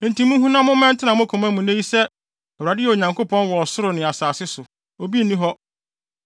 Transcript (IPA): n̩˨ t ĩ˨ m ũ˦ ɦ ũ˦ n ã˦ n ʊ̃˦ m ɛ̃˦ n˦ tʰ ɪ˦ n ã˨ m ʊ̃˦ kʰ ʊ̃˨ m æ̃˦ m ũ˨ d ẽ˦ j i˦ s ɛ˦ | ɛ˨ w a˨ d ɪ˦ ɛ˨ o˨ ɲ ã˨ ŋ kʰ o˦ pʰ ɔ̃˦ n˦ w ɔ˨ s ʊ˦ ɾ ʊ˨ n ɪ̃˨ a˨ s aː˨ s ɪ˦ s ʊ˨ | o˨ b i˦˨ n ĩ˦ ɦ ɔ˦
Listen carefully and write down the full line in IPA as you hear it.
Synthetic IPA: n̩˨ t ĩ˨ m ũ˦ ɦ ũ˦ n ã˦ m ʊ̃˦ m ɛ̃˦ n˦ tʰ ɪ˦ n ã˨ m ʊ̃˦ kʰ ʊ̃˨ m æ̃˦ m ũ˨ n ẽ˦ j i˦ s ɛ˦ | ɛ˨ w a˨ d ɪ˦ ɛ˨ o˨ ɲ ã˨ ŋ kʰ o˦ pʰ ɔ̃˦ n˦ w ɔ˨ s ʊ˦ ɾ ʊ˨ n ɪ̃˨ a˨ s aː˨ s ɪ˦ s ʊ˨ | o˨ b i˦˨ n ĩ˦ ɦ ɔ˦